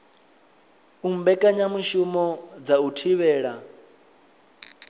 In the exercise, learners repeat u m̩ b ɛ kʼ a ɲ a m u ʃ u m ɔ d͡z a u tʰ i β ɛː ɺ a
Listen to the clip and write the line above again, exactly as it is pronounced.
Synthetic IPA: u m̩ b ɛ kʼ a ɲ a m u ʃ u m ɔ d͡z a u tʰ i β ɛː ɺ a